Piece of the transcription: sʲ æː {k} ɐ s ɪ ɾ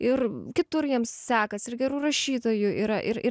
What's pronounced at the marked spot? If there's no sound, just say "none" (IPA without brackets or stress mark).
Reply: k